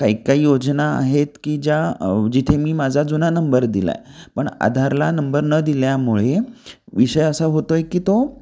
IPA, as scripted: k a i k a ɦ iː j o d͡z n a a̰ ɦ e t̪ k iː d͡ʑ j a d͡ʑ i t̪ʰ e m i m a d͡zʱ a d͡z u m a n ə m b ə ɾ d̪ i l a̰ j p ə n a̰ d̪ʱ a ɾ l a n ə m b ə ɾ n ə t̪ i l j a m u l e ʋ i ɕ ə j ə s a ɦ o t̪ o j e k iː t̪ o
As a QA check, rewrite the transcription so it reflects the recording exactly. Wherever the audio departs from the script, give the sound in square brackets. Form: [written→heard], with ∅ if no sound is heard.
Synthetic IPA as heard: k a i k a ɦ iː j o d͡z n a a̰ ɦ e t̪ k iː d͡ʑ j a d͡ʑ i t̪ʰ e m [i→iː] m a d͡zʱ a d͡z u [m→n] a n ə m b ə ɾ d̪ i l a̰ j p ə [n→ɳ] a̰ d̪ʱ a ɾ l a n ə m b ə ɾ n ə [t̪→d̪] i l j a m u [l→ɭ] e ʋ i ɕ ə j ə s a ɦ o t̪ o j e k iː t̪ o